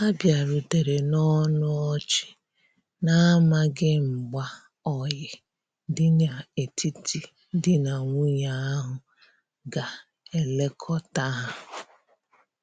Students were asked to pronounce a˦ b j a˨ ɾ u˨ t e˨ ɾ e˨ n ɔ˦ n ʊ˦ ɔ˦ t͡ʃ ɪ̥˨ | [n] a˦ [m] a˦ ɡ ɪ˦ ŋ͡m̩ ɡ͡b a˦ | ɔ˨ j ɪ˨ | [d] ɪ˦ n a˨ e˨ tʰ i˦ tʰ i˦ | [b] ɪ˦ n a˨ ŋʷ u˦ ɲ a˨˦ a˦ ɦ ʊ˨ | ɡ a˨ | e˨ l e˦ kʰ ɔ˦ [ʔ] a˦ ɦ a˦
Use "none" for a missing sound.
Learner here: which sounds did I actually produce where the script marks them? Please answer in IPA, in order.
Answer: n, m, d, d, t

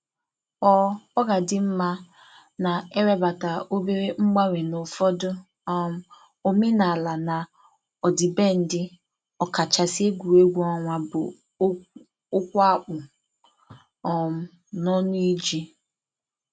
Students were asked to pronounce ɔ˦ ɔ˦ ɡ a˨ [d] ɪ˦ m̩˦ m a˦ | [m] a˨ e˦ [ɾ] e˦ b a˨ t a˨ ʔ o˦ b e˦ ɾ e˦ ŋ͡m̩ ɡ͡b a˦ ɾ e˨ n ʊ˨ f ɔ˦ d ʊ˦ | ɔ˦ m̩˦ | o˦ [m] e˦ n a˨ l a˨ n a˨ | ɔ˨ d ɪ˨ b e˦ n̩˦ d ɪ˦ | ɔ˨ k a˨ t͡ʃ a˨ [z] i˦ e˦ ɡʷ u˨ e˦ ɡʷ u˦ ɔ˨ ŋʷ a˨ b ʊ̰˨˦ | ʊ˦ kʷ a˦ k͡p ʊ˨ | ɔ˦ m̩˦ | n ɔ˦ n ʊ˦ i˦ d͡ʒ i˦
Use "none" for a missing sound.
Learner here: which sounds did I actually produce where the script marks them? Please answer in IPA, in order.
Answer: d, n, ɾ, m, s

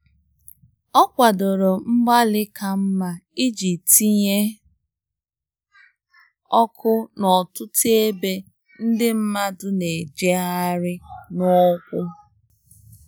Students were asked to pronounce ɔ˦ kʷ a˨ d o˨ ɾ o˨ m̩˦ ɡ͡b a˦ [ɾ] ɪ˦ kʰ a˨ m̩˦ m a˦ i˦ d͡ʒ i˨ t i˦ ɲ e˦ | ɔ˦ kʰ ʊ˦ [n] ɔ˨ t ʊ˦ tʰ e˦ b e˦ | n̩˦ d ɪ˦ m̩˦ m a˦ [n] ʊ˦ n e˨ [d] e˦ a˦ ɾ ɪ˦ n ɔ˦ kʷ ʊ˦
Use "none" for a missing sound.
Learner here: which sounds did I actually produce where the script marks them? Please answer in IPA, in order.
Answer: l, n, d, d͡ʒ

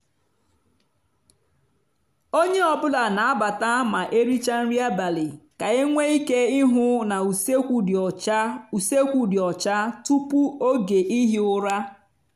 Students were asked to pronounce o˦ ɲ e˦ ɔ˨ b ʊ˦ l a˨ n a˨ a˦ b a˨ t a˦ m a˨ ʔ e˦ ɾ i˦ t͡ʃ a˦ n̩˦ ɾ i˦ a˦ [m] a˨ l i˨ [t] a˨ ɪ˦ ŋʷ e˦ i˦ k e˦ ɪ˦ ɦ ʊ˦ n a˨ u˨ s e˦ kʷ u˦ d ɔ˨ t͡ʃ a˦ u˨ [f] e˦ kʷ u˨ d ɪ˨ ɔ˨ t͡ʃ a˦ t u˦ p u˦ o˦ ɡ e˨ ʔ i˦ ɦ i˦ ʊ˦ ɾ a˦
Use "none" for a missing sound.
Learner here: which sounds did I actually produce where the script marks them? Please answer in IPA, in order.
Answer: b, k, s

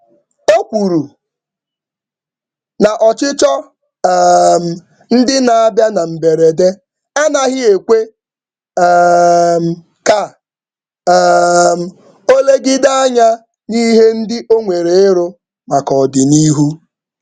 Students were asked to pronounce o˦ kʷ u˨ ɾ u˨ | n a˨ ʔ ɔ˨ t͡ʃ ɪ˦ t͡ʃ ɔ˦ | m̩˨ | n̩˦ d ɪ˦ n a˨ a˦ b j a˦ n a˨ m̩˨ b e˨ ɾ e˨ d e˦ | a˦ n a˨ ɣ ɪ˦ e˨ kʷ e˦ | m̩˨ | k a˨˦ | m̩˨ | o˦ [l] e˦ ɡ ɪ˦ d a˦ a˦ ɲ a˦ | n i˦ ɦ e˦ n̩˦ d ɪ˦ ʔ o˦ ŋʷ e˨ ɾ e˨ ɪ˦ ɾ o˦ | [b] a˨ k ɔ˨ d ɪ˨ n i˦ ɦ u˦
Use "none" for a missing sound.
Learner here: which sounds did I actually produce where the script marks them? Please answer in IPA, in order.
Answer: l, m

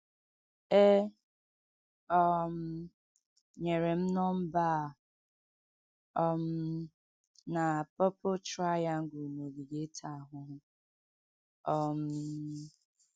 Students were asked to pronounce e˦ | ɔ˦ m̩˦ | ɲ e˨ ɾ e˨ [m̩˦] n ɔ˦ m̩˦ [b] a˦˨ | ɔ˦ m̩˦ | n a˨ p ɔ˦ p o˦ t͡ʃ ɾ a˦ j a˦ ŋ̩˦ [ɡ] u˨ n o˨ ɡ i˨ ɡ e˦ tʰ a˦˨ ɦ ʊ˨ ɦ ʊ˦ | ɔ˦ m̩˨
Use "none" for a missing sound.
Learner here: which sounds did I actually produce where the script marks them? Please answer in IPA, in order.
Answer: m̩˦, b, ɡ

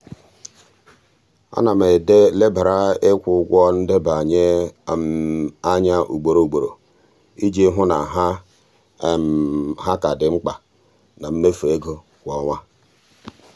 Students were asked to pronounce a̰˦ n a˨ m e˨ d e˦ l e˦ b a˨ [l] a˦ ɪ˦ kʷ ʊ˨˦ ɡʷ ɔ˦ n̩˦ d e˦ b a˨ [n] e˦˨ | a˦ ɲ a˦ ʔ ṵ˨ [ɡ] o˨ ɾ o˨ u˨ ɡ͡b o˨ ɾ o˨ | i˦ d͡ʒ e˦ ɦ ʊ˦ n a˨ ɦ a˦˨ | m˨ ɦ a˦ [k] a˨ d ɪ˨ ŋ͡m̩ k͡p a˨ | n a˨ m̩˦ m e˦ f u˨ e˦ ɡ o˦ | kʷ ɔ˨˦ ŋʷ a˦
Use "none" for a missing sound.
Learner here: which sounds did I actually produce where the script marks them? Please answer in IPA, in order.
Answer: ɾ, ɲ, ɡ͡b, k

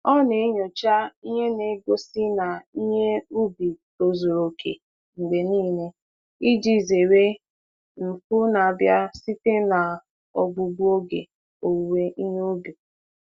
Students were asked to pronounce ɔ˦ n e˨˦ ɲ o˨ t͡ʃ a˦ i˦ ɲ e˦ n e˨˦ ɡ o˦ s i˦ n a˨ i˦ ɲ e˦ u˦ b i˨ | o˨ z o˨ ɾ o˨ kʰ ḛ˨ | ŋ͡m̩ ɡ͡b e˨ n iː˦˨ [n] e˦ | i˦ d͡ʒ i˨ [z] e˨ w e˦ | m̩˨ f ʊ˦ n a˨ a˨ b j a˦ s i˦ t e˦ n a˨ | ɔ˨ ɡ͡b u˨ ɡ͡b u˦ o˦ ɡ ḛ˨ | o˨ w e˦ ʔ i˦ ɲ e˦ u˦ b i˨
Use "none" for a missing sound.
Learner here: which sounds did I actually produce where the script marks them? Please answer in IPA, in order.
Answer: n, z

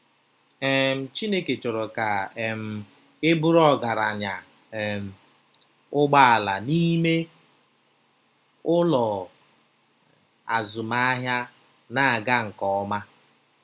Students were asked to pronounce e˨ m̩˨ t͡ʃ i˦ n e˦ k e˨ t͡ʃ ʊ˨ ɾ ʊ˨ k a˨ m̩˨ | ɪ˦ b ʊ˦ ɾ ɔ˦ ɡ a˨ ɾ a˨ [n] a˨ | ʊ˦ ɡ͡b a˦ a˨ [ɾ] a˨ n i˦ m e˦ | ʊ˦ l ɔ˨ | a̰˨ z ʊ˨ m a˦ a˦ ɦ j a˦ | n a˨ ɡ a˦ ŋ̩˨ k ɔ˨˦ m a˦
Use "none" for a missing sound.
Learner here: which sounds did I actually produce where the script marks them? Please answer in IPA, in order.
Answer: ɲ, l

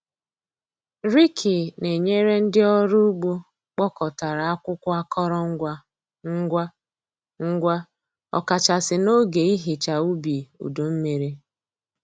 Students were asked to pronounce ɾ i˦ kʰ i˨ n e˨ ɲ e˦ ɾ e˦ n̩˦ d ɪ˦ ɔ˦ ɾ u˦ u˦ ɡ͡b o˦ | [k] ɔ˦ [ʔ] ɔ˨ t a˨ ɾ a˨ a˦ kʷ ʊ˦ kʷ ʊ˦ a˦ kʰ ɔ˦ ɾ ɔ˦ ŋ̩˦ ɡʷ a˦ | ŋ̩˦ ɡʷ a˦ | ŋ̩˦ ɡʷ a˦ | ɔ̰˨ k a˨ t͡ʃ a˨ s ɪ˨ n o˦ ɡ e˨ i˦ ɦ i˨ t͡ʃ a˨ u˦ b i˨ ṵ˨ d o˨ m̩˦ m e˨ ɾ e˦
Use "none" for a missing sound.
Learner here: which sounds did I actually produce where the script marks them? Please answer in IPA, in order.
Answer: k͡p, k

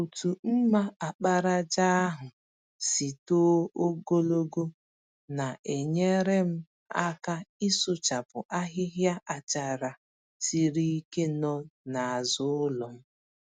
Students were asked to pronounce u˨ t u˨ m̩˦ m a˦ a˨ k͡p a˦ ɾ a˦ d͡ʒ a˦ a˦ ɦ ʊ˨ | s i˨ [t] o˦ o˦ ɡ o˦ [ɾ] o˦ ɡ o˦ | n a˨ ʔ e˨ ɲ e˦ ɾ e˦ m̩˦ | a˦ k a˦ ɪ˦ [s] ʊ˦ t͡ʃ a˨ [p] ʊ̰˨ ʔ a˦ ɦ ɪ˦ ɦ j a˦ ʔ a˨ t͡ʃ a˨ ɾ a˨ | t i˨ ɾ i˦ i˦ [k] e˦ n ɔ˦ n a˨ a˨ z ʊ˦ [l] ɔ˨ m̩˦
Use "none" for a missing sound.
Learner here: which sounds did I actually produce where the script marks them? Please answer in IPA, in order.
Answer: t, l, s, p, k, l

